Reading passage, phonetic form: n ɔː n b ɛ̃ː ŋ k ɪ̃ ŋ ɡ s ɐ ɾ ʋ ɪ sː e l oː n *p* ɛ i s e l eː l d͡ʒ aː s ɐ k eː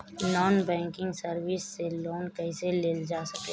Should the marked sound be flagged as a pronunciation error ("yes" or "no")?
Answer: yes